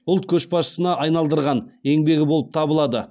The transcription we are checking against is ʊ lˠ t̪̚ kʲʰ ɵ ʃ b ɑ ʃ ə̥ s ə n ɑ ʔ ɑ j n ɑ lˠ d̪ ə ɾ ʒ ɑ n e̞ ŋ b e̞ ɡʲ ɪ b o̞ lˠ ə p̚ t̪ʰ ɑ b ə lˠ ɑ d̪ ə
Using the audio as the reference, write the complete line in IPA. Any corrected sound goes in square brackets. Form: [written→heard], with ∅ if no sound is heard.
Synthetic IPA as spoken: ʊ lˠ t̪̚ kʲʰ ɵ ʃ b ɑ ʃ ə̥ s ə n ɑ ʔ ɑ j n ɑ lˠ d̪ ə ɾ [ʒ→ʁ] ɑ n e̞ ŋ b e̞ ɡʲ ɪ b o̞ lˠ ə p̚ t̪ʰ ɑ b ə lˠ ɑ d̪ ə

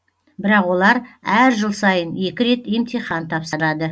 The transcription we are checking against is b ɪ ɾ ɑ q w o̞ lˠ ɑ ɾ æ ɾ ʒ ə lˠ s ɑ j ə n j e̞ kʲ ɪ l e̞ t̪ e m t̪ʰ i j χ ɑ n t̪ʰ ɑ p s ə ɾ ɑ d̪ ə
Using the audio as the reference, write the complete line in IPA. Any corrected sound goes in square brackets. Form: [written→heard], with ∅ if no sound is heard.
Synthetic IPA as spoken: b ɪ ɾ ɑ q w o̞ lˠ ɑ ɾ æ ɾ ʒ ə lˠ s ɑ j ə n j e̞ kʲ ɪ [l→ɾ] e̞ t̪ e m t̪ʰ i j χ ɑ n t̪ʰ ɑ p s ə ɾ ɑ d̪ ə

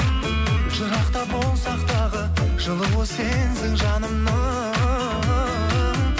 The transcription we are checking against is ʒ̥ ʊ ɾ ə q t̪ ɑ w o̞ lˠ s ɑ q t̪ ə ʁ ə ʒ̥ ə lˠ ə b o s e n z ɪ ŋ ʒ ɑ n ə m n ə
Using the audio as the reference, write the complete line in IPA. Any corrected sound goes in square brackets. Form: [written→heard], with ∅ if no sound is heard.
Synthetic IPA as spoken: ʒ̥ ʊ ɾ [ə→ɑ] q t̪ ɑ [w→b] o̞ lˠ s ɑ q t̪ [ə→ɑ] ʁ ə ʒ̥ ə lˠ ə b o s e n z ɪ ŋ ʒ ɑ n ə m n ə

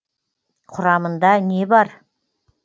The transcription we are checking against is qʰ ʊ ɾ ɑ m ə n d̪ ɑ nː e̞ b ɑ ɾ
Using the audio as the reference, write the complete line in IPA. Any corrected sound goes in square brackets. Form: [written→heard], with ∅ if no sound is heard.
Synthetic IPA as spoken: qʰ ʊ ɾ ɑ m ə n d̪ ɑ [nː→n] e̞ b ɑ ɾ

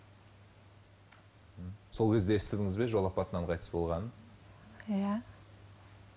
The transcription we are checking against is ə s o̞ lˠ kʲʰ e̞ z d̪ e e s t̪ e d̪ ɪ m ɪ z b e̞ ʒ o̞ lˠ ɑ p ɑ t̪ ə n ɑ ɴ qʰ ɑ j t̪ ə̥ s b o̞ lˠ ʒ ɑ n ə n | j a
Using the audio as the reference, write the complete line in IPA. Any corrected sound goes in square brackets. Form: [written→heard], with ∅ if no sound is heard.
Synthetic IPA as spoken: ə s o̞ lˠ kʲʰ e̞ z d̪ e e s t̪ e d̪ ɪ [m→ŋ] ɪ z b e̞ ʒ o̞ lˠ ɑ p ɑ t̪ ə n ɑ ɴ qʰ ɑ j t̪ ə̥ s b o̞ lˠ [ʒ→ʁ] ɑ n ə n | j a

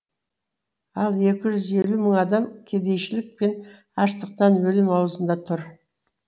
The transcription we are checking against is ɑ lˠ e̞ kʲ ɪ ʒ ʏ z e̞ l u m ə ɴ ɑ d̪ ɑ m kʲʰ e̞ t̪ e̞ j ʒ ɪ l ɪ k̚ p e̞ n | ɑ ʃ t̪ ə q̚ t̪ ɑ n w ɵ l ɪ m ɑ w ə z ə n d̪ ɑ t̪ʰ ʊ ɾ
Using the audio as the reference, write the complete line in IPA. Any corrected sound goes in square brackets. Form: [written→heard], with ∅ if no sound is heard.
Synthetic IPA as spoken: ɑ lˠ e̞ kʲ ɪ ʒ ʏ z e̞ l u m ə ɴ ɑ d̪ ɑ m kʲʰ e̞ [t̪→d̪] e̞ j [ʒ→ʃ] ɪ l ɪ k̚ p e̞ n | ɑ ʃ t̪ ə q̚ t̪ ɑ n w ɵ l ɪ m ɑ w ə z ə n d̪ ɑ t̪ʰ ʊ ɾ

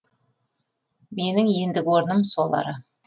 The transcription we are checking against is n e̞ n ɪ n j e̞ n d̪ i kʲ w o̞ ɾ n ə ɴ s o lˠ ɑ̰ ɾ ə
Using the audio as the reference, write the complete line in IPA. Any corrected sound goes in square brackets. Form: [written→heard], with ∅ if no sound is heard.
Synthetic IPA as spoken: [n→m] e̞ n ɪ [n→ŋ] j e̞ n d̪ [i→ɪ] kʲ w o̞ ɾ n ə [ɴ→m] s o lˠ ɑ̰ ɾ ə

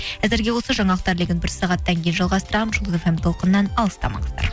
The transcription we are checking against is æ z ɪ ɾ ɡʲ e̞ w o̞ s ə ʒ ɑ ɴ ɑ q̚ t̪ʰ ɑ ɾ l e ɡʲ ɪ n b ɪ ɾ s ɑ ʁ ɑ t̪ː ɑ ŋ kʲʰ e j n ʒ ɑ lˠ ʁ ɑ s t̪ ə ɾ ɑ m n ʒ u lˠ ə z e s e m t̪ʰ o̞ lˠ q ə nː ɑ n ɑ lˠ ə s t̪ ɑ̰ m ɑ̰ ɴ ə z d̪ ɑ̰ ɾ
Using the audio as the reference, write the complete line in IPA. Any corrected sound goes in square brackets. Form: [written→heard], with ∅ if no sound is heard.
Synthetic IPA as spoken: æ z ɪ ɾ ɡʲ e̞ w o̞ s ə ʒ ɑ ɴ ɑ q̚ [t̪ʰ→t̪] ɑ ɾ l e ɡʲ ɪ n b ɪ ɾ s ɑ ʁ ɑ t̪ː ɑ ŋ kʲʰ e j n ʒ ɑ lˠ ʁ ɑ s t̪ ə ɾ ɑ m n ʒ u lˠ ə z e [s→f] e m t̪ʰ o̞ lˠ q ə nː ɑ n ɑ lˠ ə s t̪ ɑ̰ m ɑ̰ ɴ ə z d̪ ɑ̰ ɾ

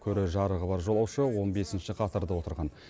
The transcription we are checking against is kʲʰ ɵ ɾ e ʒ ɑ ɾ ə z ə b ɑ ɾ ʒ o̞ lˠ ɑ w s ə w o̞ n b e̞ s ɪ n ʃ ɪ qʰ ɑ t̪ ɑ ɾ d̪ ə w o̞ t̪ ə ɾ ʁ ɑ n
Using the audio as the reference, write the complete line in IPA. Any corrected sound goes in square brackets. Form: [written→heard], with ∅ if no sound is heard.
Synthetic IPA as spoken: kʲʰ ɵ ɾ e ʒ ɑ ɾ ə [z→ʁ] ə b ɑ ɾ ʒ o̞ lˠ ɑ w [s→ʃ] ə w o̞ n b e̞ s ɪ n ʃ ɪ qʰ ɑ t̪ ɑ ɾ d̪ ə w o̞ t̪ ə ɾ ʁ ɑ n

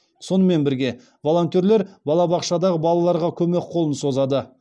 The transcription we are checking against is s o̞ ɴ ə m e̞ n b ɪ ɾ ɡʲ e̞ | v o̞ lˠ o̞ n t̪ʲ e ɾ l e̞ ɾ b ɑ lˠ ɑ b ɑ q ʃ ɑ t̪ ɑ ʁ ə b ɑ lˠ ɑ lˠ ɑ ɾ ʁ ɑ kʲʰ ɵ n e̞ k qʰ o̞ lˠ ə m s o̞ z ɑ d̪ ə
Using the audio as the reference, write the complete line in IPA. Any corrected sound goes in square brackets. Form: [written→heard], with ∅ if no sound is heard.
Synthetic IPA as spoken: s o̞ [ɴ→n] ə m e̞ n b ɪ ɾ ɡʲ e̞ | v o̞ lˠ o̞ n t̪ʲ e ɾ l e̞ ɾ b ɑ lˠ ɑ b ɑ q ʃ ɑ [t̪→d̪] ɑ ʁ ə b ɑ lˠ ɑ lˠ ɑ ɾ ʁ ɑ kʲʰ ɵ [n→m] e̞ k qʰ o̞ lˠ ə [m→n] s o̞ z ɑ d̪ ə

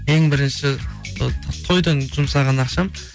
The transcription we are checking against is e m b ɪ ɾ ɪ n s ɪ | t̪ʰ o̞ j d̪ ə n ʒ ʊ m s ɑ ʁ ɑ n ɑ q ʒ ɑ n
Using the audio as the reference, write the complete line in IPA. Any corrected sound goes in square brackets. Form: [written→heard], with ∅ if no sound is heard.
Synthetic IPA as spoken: e [m→ŋ] b ɪ ɾ ɪ n [s→ʃ] ɪ | t̪ʰ o̞ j d̪ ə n ʒ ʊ m s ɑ ʁ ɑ n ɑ q [ʒ→ʃ] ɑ [n→m]

